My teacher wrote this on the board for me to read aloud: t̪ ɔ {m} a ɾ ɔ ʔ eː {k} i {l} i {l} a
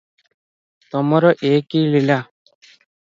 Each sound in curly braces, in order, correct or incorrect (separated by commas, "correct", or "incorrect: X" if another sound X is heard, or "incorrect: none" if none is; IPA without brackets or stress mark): correct, correct, correct, correct